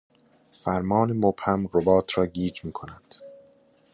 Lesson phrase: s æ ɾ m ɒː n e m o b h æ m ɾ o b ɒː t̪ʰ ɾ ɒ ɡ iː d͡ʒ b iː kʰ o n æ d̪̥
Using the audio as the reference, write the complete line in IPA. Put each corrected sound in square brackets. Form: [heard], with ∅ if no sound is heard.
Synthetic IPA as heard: [f] æ ɾ m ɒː n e m o b h æ m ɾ o b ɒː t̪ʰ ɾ [ɒː] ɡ iː d͡ʒ [m] iː kʰ o n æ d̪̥